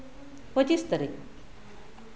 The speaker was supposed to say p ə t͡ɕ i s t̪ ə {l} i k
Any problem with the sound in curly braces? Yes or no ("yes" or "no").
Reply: yes